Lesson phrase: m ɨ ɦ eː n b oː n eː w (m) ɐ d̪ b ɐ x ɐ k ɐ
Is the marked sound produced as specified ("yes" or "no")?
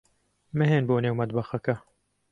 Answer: yes